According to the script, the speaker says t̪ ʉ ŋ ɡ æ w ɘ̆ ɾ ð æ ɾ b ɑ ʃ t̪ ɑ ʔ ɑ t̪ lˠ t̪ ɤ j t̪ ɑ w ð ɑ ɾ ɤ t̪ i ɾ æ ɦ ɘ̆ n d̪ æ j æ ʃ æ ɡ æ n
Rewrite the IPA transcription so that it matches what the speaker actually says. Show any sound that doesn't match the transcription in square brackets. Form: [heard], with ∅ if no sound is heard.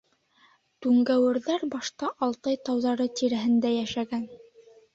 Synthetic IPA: t̪ ʉ ŋ ɡ æ w ɘ̆ ɾ ð æ ɾ b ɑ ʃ t̪ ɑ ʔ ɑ [∅] lˠ t̪ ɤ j t̪ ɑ w ð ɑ ɾ ɤ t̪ i ɾ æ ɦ ɘ̆ n d̪ æ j æ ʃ æ ɡ æ n